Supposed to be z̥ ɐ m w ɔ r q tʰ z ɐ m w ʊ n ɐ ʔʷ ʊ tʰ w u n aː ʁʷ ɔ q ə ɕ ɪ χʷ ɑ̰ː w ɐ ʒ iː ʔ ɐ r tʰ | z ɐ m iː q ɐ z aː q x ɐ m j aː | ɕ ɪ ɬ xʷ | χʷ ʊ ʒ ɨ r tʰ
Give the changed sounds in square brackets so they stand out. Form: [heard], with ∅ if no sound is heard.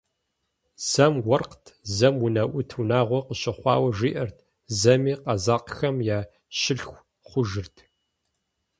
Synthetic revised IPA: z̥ ɐ m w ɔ r q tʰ z ɐ m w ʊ n ɐ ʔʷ ʊ tʰ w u n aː ʁʷ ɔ q ə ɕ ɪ χʷ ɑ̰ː w ɐ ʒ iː ʔ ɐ r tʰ | z ɐ m iː q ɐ z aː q x ɐ m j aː | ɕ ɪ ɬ xʷ | χʷ ʊ ʒ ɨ r tʰ